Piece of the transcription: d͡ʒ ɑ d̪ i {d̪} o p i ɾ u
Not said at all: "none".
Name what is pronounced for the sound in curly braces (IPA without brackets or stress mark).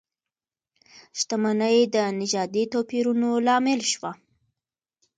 t̪